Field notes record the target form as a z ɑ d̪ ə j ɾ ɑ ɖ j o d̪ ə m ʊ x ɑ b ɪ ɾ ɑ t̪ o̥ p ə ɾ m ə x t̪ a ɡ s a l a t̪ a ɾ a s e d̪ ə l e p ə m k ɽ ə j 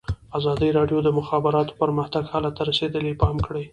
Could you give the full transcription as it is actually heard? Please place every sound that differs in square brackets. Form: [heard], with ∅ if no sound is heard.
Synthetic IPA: a z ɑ d̪ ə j ɾ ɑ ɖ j o d̪ ə m ʊ x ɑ b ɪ ɾ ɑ t̪ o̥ p ə ɾ m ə x t̪ a ɡ [h] a l a t̪ a ɾ a s e d̪ ə l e p [ɑ] m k ɽ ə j

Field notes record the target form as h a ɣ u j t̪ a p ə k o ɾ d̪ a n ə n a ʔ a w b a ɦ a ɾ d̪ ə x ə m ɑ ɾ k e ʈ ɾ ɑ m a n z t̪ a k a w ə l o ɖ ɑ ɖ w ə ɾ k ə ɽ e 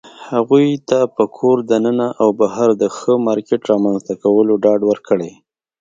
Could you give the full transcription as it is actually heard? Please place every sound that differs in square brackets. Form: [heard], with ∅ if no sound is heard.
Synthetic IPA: h a ɣ u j t̪ a p ə [kʰ] o ɾ d̪ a n ə n a ʔ a w b a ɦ a ɾ d̪ ə x ə m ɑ ɾ k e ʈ ɾ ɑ m a n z t̪ a k a w ə l o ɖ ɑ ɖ w ə ɾ k ə ɽ e

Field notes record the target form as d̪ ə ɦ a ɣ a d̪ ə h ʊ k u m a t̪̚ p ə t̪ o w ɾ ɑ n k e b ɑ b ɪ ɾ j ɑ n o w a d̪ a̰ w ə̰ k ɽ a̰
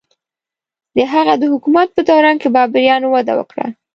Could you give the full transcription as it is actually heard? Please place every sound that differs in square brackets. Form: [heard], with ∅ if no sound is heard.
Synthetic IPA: d̪ ə ɦ a ɣ a d̪ ə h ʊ k u m a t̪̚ p ə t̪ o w ɾ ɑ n k e b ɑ b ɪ ɾ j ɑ n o w a d̪ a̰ w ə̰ k ɽ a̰

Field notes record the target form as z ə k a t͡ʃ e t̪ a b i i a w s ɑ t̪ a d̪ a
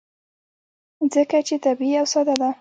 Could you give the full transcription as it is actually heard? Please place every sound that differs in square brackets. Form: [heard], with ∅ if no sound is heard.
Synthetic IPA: z ə k a t͡ʃ e t̪ a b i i a w s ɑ [d̪] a d̪ a

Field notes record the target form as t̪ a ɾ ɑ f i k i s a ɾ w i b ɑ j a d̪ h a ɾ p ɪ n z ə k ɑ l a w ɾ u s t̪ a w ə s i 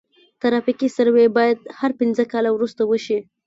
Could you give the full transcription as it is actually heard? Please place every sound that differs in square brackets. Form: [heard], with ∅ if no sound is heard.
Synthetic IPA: t̪ a ɾ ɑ f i k i s a ɾ w [e] b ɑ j a d̪ h a ɾ p ɪ n z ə k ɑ l a w ɾ u s t̪ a w ə [ʃ] i

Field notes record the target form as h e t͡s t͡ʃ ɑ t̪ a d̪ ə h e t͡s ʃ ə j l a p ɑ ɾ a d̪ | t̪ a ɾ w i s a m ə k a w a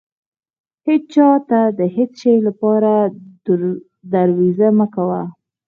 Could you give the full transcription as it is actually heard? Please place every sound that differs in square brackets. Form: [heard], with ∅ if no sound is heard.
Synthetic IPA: h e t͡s t͡ʃ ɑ t̪ a d̪ ə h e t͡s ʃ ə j l a p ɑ ɾ a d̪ | [d̪] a ɾ w i [z] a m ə k a w a

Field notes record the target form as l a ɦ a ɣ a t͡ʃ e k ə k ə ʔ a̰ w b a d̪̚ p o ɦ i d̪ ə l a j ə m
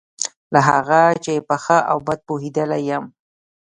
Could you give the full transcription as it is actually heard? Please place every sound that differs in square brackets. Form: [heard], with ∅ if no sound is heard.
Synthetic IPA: l a ɦ a ɣ a t͡ʃ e [p] ə [x] ə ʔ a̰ w b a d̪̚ p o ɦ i d̪ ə l a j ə m

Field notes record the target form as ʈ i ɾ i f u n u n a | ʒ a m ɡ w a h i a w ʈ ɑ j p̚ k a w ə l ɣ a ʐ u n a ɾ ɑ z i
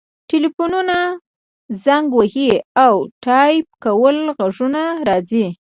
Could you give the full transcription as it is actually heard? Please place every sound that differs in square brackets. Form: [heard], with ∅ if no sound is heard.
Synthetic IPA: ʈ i [l] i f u n u n a | [z] a [ŋ] ɡ w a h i a w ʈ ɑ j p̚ k a w ə l ɣ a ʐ u n a ɾ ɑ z i

